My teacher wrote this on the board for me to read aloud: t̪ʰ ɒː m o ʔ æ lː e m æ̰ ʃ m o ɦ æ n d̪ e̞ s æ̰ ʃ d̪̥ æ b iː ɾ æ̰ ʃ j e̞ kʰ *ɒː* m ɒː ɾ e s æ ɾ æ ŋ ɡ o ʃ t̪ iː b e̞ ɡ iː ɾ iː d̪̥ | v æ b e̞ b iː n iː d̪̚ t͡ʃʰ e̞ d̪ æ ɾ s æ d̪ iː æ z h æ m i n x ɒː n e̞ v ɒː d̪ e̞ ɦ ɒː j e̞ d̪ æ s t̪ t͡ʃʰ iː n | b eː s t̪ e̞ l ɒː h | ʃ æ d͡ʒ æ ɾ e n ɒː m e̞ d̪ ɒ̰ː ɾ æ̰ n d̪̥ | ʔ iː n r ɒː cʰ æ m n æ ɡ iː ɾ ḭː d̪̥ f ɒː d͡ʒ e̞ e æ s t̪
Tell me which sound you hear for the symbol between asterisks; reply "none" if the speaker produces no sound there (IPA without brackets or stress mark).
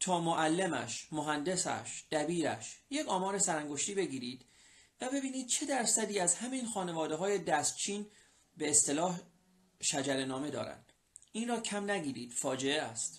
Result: ɒː